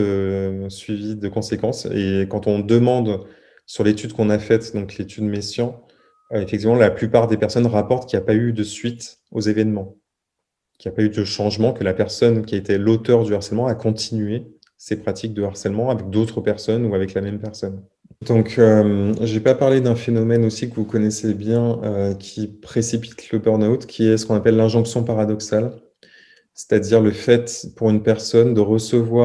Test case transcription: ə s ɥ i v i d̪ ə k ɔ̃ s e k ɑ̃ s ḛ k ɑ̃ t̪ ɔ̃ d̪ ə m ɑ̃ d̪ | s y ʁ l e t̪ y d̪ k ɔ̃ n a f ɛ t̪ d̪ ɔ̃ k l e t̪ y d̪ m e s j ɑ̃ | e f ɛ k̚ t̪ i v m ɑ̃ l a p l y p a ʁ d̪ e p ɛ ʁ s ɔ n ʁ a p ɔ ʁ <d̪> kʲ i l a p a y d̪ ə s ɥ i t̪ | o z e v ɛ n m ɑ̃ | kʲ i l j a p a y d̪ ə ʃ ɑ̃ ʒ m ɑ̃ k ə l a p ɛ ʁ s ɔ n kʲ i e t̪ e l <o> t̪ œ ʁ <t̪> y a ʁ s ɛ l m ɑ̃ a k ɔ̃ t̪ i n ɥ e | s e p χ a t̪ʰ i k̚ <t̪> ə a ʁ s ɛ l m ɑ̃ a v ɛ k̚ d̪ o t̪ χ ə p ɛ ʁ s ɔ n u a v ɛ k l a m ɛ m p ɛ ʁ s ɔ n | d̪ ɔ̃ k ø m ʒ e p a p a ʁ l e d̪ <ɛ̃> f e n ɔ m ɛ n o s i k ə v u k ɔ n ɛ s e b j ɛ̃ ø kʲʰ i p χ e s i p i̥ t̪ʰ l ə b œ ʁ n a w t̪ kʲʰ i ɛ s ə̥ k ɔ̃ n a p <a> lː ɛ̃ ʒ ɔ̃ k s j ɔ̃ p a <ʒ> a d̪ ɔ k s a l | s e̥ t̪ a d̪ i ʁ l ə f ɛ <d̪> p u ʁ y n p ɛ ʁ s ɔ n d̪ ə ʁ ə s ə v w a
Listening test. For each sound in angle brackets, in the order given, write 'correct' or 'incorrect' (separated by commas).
incorrect, correct, incorrect, incorrect, correct, incorrect, incorrect, incorrect